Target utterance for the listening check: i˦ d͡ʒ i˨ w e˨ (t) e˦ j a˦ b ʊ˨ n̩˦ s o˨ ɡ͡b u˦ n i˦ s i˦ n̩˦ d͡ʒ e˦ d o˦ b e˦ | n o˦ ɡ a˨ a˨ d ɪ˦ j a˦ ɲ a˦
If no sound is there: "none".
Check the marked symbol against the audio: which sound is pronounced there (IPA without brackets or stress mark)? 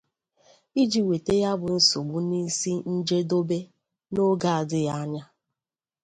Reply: t